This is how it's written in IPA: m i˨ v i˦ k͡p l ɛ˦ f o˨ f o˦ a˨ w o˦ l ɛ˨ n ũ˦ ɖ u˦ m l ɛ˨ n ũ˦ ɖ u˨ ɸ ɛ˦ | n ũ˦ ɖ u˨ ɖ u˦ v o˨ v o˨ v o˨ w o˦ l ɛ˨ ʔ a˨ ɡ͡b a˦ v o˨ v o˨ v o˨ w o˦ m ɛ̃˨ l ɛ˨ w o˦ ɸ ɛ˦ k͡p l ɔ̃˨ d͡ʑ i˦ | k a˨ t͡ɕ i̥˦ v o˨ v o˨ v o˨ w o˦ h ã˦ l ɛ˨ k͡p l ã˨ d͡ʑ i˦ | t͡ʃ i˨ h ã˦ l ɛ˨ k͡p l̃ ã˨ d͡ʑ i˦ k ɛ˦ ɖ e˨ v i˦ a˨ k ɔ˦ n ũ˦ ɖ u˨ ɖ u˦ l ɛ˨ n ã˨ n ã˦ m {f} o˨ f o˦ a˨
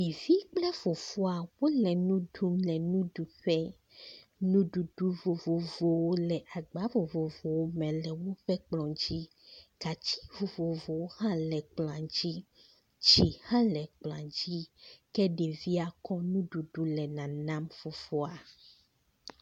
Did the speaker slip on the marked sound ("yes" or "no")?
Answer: no